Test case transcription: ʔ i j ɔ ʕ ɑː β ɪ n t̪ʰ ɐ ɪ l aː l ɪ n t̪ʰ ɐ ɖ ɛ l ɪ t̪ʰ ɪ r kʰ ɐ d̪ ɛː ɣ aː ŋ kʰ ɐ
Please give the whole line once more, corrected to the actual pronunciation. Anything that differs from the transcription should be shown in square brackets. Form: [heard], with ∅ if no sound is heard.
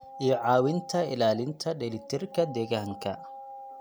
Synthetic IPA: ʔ i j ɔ ʕ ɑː [w] ɪ n t̪ʰ ɐ ɪ l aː l ɪ n t̪ʰ ɐ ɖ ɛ l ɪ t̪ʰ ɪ r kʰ ɐ d̪ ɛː ɣ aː ŋ kʰ ɐ

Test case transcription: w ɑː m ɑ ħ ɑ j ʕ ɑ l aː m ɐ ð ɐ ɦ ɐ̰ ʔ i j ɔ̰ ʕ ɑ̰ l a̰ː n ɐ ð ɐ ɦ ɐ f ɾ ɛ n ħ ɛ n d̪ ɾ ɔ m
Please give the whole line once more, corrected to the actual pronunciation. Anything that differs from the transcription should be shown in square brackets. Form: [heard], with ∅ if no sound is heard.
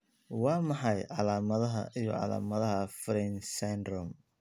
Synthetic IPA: w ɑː m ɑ ħ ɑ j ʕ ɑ l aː m ɐ ð ɐ ɦ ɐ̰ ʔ i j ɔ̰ ʕ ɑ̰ l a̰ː [m] ɐ ð ɐ ɦ ɐ f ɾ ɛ n [s] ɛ n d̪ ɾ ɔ m

